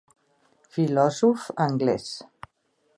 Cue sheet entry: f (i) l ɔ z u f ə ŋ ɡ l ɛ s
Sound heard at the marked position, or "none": i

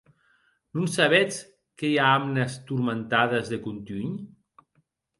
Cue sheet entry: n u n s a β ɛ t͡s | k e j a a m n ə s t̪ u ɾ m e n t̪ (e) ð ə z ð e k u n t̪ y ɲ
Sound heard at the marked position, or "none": a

